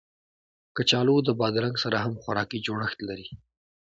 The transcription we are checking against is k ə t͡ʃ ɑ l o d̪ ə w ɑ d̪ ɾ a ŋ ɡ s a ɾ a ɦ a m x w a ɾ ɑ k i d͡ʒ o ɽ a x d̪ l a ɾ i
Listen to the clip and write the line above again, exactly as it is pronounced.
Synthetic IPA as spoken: k ə t͡ʃ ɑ l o d̪ ə b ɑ d̪ ɾ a ŋ ɡ s a ɾ a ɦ a m x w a ɾ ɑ k i d͡ʒ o ɽ ə x t̪ l a ɾ i